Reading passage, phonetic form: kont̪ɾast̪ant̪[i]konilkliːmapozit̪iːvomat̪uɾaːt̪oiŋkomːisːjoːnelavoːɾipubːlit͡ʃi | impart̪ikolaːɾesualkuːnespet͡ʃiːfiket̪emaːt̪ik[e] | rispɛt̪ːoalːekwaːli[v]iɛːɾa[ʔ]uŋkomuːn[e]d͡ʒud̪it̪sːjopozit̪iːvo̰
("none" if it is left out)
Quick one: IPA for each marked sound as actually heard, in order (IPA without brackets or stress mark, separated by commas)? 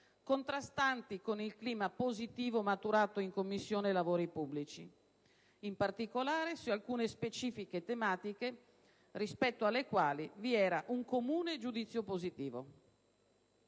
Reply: i, e, v, ʔ, e